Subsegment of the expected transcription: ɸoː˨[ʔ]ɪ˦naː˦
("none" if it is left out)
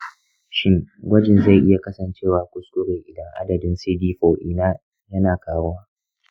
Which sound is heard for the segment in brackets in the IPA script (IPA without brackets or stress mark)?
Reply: ʔ